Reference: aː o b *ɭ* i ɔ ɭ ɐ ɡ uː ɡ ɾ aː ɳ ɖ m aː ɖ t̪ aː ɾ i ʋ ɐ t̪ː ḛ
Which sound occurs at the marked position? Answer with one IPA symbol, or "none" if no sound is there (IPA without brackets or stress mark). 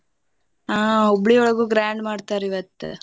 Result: ɭ